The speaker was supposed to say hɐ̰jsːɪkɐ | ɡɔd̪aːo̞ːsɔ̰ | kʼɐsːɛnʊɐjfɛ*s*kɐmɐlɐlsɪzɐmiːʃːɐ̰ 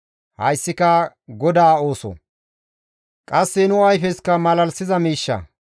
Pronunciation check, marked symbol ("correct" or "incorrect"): correct